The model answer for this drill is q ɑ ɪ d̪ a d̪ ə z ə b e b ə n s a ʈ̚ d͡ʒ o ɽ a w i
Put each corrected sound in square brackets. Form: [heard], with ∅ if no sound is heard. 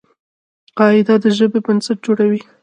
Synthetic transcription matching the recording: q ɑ ɪ d̪ a d̪ ə [ʒ] ə b e b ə n s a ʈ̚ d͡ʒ o ɽ a w i